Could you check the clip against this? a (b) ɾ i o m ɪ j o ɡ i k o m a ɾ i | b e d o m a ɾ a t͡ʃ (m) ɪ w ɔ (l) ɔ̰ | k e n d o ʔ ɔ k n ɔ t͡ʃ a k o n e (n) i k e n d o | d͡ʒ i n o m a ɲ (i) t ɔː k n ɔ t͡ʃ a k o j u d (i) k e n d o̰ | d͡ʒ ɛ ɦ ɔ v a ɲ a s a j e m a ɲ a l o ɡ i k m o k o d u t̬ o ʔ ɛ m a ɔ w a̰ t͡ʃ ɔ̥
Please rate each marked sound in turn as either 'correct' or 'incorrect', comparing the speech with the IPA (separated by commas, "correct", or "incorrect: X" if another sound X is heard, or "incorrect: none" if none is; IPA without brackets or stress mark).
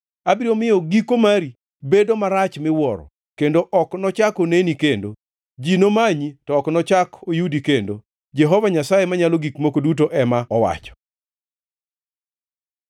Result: correct, correct, incorrect: ɾ, correct, correct, correct